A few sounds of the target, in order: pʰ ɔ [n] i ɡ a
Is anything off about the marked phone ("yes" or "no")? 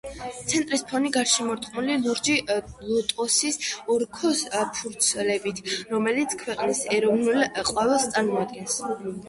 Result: no